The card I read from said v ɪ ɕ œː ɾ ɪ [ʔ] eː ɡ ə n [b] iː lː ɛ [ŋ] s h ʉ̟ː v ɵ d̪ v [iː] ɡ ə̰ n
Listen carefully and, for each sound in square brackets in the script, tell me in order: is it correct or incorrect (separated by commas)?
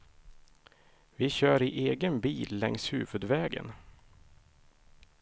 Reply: correct, correct, correct, incorrect